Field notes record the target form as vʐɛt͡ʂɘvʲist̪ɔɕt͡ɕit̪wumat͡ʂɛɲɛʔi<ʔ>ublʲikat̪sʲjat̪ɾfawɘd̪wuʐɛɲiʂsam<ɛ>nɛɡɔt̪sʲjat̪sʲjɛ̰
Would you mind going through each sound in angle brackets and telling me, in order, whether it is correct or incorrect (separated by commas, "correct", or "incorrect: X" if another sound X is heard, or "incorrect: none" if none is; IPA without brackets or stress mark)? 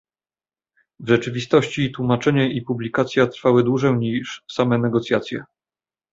incorrect: p, correct